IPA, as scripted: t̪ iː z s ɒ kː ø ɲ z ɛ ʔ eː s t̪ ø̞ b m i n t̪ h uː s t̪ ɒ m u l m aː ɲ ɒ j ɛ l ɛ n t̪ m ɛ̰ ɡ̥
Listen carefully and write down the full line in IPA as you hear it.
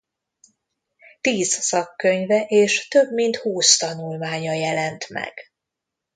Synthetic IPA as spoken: t̪ iː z s ɒ kː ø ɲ v ɛ ʔ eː ʃ t̪ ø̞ b m i n t̪ h uː s t̪ ɒ n u l m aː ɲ ɒ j ɛ l ɛ n t̪ m ɛ̰ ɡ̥